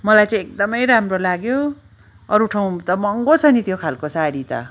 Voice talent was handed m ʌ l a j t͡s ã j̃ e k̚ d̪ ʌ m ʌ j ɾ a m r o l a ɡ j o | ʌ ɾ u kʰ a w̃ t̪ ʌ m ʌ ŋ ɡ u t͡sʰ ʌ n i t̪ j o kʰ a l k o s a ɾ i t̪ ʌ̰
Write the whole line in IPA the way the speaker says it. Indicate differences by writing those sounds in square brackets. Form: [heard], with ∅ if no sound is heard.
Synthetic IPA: m ʌ l a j t͡s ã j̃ e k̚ d̪ ʌ m ʌ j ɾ a m r o l a ɡ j o | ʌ ɾ u [ʈʰ] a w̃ t̪ ʌ m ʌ ŋ ɡ [o] t͡sʰ ʌ n i t̪ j o kʰ a l k o s a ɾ i t̪ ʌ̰